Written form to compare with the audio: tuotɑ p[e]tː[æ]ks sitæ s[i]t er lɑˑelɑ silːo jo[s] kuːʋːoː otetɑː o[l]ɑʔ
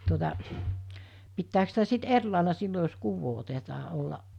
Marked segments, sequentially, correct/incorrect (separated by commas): incorrect, incorrect, correct, correct, incorrect